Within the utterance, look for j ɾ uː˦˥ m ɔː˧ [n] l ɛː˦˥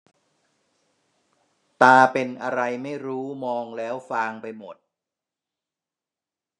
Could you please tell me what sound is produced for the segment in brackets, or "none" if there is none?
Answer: ŋ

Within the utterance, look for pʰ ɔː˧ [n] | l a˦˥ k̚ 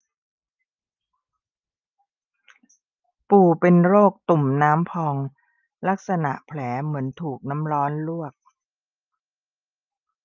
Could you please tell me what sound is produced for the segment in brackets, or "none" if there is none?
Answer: ŋ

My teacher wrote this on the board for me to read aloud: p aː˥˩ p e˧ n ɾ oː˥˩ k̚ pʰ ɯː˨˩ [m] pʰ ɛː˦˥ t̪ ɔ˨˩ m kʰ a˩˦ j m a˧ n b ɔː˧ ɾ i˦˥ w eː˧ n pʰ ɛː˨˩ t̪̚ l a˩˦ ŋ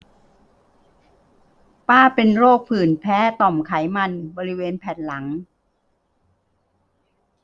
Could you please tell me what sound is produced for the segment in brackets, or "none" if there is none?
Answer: n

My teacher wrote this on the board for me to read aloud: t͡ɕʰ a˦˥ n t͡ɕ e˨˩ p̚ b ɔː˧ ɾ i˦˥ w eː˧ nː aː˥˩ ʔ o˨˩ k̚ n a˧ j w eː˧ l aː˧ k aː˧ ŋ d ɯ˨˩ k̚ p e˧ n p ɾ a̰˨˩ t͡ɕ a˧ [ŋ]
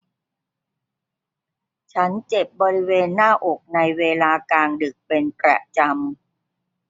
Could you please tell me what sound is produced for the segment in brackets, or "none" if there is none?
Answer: m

